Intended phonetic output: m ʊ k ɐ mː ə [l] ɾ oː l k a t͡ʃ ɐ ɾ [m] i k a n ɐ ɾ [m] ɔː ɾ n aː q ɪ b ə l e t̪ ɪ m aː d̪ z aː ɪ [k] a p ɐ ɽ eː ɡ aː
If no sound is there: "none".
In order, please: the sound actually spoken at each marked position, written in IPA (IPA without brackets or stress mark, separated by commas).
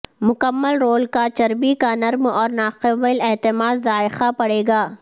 l, b, m, x